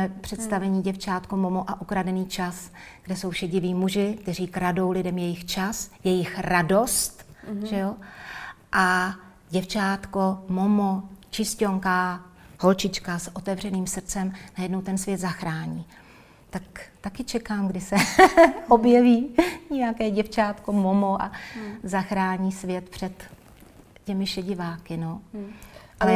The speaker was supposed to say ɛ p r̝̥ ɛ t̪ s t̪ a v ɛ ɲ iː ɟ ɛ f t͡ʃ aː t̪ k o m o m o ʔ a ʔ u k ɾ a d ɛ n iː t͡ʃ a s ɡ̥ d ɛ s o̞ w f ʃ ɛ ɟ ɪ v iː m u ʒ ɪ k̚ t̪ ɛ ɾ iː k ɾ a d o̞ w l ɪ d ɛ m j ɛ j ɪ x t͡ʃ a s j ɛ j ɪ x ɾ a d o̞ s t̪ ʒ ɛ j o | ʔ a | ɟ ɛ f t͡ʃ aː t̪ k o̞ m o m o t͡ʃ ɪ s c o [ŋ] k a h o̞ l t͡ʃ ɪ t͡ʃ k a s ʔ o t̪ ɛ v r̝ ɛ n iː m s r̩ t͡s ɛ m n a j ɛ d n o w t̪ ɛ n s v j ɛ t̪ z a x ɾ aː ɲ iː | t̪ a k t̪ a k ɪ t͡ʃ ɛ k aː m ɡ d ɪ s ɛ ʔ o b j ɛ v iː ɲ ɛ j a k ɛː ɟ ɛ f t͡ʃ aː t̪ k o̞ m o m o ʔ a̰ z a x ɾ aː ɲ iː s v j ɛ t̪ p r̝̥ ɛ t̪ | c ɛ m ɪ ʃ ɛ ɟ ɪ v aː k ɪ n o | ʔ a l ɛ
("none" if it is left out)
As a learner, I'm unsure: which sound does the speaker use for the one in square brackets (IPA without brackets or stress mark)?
ŋ